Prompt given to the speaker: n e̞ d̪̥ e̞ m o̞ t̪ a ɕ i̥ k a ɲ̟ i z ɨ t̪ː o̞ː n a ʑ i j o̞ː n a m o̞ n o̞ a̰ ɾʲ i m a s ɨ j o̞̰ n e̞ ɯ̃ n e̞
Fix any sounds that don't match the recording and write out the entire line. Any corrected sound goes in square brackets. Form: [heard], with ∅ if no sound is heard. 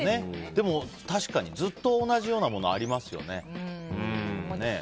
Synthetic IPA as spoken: n e̞ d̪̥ e̞ m o̞ t̪ a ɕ i̥ k a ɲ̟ i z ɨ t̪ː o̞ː n a ʑ i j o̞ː n a m o̞ n o̞ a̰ ɾʲ i m a s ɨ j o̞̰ n e̞ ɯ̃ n e̞